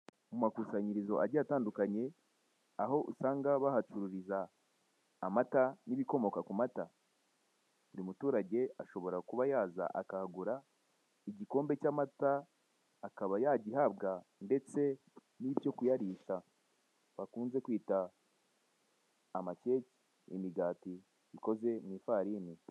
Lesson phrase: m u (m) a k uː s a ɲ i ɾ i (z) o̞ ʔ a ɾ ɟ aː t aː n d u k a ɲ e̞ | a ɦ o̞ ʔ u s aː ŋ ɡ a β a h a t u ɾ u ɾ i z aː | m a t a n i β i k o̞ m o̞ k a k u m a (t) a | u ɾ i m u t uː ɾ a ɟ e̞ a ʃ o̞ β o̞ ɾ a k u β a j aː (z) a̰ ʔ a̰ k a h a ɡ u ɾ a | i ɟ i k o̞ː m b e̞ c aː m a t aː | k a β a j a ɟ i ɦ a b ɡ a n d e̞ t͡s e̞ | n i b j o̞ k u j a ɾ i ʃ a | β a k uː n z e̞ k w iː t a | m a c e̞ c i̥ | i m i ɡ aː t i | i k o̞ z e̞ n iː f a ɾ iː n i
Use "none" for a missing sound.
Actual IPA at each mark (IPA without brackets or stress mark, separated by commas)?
m, z, t, z